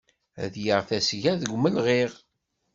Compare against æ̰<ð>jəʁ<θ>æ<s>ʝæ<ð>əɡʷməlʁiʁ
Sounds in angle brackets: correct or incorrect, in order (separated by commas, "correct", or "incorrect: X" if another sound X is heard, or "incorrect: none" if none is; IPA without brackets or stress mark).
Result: correct, correct, correct, correct